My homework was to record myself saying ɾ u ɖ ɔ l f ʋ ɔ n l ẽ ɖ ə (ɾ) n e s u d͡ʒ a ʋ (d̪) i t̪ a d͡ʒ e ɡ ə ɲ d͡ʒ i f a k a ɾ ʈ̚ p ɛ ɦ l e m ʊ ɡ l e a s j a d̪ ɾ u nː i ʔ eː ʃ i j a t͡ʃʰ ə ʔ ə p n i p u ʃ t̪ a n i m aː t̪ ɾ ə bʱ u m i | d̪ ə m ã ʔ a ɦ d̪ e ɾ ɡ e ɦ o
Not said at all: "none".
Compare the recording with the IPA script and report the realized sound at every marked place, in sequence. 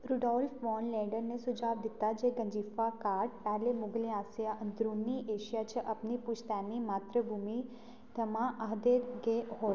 ɾ, d̪

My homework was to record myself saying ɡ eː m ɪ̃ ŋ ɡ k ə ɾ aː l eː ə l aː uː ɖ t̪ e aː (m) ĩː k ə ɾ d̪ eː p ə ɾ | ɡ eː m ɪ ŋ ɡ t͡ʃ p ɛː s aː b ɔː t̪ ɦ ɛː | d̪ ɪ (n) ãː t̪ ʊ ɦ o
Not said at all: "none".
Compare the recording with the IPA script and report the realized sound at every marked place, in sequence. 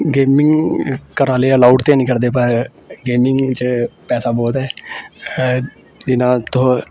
n, n

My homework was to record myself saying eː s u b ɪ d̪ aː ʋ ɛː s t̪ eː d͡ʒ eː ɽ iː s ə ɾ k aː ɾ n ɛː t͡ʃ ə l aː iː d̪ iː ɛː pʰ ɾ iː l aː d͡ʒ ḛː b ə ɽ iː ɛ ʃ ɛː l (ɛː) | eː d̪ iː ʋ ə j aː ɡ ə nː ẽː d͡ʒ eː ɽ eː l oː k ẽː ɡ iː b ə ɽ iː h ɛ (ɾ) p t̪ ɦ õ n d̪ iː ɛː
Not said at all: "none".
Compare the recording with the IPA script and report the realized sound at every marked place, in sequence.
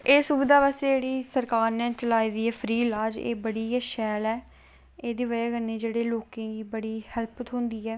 ɛː, l

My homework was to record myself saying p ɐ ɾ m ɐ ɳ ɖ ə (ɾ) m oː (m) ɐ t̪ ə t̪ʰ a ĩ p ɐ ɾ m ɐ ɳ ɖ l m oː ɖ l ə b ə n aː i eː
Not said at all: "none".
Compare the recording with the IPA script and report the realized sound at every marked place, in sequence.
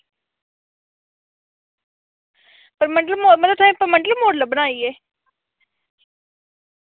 l, m

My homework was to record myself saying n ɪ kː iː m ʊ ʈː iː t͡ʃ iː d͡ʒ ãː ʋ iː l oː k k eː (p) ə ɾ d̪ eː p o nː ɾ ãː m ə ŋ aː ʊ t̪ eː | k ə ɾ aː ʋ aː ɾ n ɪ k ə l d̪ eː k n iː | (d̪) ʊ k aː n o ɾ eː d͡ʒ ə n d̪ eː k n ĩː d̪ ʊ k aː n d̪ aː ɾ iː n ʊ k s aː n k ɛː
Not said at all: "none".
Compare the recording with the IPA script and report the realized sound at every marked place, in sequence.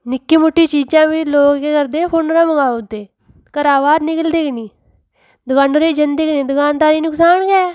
k, d̪

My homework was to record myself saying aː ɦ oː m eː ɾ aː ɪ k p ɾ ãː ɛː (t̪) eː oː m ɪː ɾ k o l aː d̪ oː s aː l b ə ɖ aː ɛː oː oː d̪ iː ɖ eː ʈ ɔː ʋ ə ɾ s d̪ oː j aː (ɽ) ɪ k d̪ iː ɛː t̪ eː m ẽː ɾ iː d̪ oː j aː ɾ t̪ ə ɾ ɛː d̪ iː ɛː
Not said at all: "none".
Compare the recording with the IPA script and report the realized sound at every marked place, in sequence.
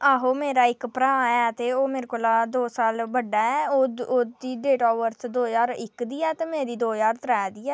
t̪, ɾ

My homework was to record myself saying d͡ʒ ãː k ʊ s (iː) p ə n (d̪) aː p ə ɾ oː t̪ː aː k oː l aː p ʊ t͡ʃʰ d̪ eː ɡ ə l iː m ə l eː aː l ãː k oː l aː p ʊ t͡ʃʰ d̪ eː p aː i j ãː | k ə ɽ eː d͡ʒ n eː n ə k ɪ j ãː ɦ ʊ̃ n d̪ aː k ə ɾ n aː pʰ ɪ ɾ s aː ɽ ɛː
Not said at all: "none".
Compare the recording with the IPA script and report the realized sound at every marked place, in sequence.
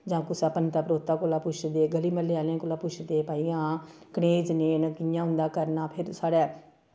aː, t̪

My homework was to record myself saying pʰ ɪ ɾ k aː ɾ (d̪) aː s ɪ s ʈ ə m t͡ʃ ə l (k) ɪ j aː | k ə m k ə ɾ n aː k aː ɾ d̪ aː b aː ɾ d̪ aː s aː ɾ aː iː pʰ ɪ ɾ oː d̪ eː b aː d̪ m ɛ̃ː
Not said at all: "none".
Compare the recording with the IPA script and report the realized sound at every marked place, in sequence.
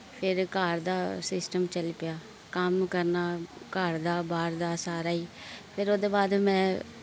d̪, p

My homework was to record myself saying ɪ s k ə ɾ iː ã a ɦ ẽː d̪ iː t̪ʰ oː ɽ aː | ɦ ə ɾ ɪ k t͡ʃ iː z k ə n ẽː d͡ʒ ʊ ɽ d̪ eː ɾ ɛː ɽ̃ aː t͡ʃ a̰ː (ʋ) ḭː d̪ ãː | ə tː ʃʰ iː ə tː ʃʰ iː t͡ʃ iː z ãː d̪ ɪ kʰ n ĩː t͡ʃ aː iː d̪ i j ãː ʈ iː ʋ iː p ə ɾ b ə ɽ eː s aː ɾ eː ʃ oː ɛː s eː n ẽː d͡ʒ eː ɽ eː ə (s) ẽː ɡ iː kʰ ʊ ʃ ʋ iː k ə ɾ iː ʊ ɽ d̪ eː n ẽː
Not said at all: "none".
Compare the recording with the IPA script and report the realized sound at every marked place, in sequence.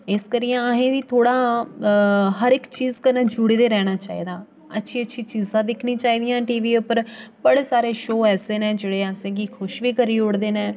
none, s

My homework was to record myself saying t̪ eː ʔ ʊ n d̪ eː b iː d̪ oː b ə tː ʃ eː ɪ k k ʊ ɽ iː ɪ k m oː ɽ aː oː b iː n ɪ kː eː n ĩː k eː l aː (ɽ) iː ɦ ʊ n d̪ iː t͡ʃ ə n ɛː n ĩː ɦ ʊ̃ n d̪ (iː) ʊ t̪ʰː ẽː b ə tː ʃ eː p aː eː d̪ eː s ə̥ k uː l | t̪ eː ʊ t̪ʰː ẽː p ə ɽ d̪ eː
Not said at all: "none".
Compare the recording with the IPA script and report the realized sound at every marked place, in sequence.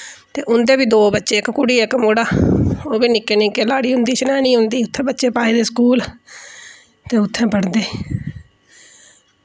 ɽ, iː

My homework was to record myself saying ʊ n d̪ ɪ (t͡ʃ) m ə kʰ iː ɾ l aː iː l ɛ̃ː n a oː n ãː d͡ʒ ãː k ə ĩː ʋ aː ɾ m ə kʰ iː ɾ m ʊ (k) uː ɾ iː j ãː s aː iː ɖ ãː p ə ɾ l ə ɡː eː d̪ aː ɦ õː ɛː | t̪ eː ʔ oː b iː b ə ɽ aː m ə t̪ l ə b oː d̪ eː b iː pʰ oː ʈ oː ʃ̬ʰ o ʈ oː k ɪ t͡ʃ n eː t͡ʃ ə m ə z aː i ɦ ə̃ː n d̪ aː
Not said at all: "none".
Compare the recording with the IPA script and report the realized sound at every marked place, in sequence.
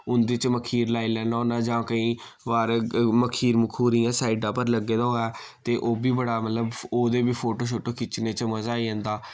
t͡ʃ, kʰ

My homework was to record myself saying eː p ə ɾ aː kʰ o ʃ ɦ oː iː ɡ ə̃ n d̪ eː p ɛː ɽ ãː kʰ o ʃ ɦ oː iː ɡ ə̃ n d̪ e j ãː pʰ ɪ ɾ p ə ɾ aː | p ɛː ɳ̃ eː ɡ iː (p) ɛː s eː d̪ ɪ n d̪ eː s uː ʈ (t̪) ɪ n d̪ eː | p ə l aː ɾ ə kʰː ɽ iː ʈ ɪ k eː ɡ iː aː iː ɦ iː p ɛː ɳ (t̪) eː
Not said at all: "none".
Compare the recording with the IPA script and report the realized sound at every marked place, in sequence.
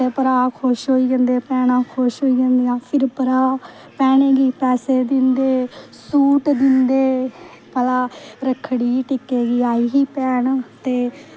p, d̪, t̪

